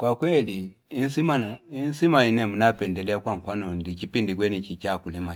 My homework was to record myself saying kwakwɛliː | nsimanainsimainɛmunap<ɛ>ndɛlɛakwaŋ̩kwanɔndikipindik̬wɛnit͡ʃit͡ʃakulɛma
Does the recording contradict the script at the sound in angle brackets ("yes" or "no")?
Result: no